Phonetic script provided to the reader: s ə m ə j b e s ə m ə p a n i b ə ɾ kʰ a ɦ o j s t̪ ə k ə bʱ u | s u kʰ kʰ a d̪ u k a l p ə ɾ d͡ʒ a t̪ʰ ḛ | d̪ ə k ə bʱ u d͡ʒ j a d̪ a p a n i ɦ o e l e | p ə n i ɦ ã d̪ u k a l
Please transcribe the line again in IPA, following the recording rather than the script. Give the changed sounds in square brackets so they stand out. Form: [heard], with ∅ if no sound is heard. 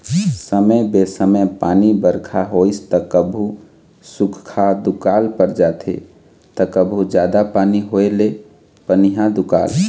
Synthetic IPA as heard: s ə m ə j b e s ə m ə p a n i b ə ɾ kʰ a ɦ o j s t̪ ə k ə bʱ u | s u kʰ kʰ a d̪ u k a l p ə ɾ d͡ʒ a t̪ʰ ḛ | [t̪] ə k ə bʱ u d͡ʒ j a d̪ a p a n i ɦ o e l e | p ə n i ɦ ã d̪ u k a l